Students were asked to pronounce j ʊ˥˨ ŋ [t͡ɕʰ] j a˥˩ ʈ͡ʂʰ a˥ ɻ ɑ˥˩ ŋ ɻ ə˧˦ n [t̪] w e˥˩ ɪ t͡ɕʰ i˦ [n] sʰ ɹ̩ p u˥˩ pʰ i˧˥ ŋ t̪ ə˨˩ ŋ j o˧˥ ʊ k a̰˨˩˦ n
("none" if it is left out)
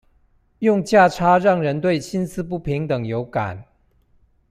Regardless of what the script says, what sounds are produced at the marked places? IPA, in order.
t͡ɕ, t̪, n

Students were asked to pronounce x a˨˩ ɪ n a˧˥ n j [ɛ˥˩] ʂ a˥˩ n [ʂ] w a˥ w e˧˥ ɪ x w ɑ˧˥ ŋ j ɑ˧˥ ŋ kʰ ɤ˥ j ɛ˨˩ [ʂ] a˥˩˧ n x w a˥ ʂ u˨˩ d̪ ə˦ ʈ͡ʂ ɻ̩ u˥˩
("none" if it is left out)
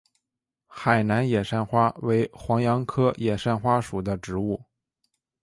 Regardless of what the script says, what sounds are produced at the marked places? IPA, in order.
ɛ˨˩, x, ʂ

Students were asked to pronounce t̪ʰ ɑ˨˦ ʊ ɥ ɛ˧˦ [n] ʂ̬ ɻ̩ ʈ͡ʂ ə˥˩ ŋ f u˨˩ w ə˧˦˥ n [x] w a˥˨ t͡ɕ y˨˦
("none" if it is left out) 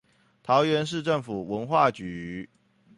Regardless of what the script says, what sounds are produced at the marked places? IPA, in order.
n, x

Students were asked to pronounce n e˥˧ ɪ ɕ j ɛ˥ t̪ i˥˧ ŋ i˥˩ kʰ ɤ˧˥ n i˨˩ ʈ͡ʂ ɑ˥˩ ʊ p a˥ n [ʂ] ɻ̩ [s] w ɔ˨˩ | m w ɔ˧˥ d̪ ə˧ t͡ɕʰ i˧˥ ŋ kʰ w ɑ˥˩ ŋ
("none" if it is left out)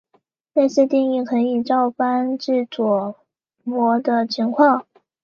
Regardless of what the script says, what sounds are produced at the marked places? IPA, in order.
ʈ͡ʂ, t͡s

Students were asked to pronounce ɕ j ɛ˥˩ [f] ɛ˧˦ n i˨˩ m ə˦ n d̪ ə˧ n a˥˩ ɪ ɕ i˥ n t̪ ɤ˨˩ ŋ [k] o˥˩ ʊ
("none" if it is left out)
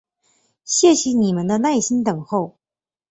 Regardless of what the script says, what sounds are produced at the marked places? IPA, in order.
ɕ, x

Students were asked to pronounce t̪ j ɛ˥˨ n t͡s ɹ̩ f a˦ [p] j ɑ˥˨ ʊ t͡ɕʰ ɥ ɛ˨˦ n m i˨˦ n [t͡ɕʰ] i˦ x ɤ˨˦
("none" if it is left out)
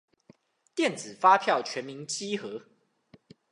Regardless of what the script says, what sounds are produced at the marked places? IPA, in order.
pʰ, t͡ɕ

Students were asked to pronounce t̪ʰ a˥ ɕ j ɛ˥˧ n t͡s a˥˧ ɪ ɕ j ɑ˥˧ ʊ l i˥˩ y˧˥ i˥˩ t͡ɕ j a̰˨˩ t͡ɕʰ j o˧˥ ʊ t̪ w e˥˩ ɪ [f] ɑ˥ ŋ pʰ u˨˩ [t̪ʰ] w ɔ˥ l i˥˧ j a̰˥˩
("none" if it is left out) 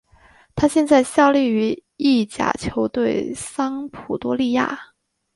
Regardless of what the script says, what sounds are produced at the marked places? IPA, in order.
s, t̪

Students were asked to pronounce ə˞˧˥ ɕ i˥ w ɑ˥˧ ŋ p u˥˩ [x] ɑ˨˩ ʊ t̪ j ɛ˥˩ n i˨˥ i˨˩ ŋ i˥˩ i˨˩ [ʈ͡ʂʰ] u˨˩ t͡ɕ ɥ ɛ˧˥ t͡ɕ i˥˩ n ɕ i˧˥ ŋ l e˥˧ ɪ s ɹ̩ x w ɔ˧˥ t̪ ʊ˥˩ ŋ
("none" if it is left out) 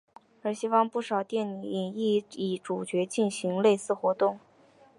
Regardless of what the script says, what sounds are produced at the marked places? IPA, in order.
ʂ, ʈ͡ʂ

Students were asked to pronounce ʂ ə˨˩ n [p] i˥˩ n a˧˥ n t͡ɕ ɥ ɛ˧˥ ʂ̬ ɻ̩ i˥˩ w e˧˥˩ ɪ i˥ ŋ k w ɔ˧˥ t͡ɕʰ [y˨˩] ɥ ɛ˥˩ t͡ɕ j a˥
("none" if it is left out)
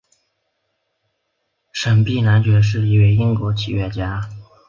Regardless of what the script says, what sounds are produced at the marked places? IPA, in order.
p, i˨˩

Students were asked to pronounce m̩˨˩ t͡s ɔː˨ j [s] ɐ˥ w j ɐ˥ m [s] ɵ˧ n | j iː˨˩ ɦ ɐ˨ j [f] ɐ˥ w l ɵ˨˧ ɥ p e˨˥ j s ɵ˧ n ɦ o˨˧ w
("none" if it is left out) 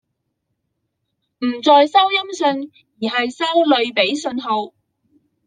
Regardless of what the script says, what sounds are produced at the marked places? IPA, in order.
s, s, s

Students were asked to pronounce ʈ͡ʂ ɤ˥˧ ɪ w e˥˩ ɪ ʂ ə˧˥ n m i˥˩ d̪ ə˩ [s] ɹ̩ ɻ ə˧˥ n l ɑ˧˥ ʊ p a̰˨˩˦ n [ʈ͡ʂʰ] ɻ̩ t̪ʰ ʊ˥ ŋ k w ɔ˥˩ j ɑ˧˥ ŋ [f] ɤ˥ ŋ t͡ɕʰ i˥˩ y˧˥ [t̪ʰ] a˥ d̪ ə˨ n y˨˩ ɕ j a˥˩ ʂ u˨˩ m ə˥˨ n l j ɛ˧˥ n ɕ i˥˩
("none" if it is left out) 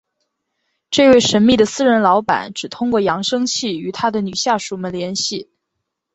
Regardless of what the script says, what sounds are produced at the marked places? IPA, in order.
s, ʈ͡ʂ, ʂ, t̪ʰ

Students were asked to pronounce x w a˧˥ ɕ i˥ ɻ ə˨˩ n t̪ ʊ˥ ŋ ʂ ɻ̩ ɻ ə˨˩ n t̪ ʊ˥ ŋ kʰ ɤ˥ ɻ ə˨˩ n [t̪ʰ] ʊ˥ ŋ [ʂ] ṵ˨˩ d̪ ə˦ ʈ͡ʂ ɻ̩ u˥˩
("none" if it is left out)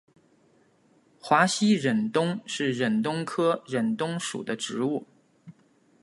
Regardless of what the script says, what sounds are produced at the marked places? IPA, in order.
t̪, ʂ

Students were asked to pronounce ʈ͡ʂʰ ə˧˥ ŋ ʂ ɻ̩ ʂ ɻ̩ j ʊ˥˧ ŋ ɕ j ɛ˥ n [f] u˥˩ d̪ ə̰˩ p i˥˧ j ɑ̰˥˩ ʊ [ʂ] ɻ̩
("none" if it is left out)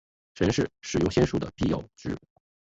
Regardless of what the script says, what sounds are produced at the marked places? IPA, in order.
ʂ, ʈ͡ʂ

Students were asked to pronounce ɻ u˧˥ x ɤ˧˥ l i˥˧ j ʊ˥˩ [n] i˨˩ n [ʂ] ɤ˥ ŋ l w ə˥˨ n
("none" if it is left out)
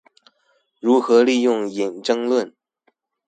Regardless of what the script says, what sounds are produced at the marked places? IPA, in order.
ŋ, ʈ͡ʂ

